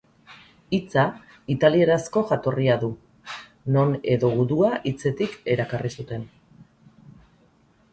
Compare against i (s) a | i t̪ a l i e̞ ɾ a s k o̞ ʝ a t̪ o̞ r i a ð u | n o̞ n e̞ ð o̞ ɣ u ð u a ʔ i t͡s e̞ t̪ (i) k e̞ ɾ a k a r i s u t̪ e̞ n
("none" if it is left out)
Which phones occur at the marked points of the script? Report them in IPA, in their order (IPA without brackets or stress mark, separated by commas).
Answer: t͡s, i